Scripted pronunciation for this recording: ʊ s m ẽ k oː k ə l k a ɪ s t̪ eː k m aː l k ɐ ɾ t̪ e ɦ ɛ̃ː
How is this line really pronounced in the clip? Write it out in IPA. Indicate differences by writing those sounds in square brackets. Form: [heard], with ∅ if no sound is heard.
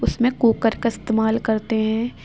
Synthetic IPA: ʊ s m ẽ k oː k ə [ɾ] k a ɪ s t̪ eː [∅] m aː l k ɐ ɾ t̪ e ɦ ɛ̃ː